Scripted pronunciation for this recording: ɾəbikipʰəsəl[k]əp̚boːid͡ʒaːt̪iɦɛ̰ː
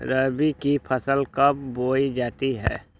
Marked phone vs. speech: correct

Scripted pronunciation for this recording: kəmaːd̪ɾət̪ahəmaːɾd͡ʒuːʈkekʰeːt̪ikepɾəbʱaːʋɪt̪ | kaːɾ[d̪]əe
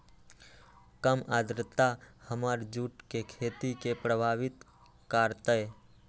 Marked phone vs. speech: incorrect: t̪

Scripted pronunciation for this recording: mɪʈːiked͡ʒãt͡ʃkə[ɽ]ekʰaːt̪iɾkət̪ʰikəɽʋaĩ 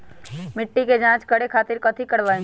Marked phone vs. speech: correct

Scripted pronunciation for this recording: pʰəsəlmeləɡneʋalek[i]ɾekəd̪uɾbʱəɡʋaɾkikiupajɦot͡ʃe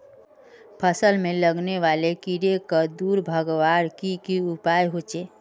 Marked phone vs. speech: correct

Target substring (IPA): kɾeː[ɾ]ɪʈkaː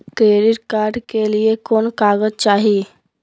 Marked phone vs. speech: correct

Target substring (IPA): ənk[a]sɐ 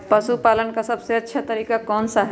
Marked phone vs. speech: correct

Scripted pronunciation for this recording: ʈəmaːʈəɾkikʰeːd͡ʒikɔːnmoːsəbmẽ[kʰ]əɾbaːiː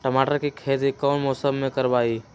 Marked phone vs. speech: incorrect: k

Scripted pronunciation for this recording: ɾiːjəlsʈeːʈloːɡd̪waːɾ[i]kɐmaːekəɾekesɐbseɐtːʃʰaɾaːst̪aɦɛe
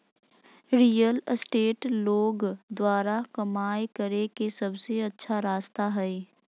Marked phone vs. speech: incorrect: a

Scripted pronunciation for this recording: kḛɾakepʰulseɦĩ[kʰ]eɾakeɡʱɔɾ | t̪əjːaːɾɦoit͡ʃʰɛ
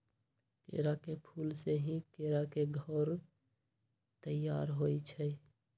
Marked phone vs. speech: incorrect: k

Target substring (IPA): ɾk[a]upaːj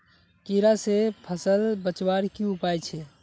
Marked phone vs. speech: incorrect: i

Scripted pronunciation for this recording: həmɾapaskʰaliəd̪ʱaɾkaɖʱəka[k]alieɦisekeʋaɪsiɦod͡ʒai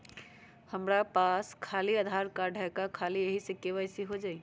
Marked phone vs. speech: incorrect: kʰ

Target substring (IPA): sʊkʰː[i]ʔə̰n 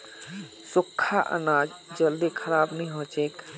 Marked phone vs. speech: incorrect: a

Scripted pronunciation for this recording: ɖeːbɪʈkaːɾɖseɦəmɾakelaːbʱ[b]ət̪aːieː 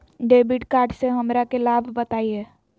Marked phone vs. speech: correct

